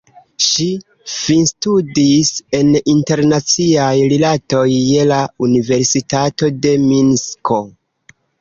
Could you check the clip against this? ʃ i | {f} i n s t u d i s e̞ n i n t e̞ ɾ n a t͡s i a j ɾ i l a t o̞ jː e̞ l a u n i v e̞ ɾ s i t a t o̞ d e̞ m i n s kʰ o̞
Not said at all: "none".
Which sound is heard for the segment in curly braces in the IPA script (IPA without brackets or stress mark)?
f